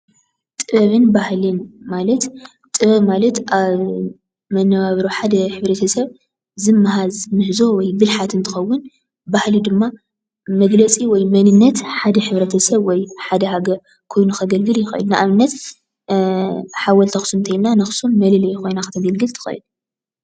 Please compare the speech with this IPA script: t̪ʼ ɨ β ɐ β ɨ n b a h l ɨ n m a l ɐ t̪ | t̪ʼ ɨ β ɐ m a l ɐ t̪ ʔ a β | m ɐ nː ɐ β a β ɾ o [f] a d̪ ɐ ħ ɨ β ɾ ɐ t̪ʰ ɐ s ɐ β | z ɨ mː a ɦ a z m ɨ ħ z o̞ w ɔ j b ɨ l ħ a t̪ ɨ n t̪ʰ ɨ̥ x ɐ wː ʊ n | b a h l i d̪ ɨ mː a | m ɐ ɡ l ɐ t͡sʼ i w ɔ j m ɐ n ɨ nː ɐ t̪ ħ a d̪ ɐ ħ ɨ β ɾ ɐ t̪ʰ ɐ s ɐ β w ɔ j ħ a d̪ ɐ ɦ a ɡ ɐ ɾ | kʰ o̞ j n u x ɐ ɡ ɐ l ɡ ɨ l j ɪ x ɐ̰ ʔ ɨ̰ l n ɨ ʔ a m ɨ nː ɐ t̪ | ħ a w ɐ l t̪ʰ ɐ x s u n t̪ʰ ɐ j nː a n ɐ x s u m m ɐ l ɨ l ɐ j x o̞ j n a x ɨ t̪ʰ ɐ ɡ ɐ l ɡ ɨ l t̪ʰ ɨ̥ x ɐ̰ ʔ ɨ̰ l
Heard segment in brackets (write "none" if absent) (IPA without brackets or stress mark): ħ